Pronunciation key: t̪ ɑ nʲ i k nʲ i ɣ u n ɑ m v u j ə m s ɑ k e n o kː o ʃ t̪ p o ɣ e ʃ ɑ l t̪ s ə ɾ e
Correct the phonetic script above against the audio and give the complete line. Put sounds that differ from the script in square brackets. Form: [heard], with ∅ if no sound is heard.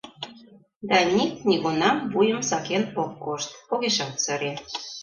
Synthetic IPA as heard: [d̪] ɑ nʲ i k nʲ i ɣ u n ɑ m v u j ə m s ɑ k e n o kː o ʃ t̪ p o ɣ e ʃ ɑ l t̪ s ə ɾ e